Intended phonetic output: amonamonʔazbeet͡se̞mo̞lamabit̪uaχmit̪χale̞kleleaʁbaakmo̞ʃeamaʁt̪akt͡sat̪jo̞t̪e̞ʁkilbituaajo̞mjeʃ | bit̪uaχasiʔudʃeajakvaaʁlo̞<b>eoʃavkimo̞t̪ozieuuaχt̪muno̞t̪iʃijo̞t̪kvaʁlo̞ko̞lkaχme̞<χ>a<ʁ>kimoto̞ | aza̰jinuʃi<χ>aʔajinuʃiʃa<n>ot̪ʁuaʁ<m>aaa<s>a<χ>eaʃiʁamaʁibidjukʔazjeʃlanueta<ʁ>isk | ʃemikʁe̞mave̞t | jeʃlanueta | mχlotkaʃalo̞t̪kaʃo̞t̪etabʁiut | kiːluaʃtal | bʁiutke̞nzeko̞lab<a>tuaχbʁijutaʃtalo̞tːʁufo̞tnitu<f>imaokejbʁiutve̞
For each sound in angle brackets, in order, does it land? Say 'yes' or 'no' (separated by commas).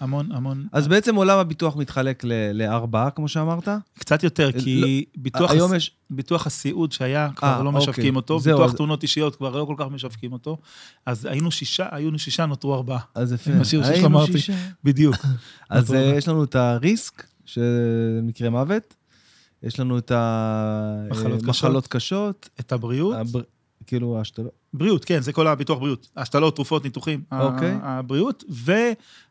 no, no, no, no, yes, no, no, no, yes, no, no